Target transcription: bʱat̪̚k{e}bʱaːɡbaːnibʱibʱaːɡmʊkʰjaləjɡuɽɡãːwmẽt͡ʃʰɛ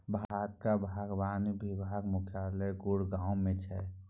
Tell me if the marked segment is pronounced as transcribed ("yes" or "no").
no